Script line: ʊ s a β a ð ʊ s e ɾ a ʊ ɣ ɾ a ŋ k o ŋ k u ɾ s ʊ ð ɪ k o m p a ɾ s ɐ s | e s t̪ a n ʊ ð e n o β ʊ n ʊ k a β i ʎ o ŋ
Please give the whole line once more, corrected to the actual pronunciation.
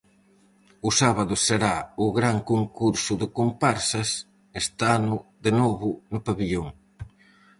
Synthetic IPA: ʊ s a β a ð ʊ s e ɾ a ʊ ɣ ɾ a ŋ k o ŋ k u ɾ s ʊ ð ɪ k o m p a ɾ s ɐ s | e s t̪ a n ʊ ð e n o β ʊ n ʊ p a β i ʎ o ŋ